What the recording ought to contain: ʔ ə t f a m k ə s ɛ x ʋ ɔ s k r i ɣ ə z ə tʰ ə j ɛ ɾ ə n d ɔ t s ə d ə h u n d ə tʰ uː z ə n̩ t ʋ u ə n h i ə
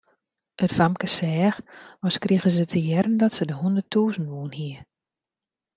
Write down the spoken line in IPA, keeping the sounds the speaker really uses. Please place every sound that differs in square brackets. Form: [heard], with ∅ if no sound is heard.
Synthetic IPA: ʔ ə t f a m k ə s [ɛː] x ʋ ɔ s k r i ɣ ə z ə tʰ ə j ɛ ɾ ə n d ɔ t s ə d ə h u n d ə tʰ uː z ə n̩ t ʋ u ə n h i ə